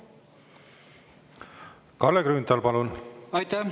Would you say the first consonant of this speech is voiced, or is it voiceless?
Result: voiceless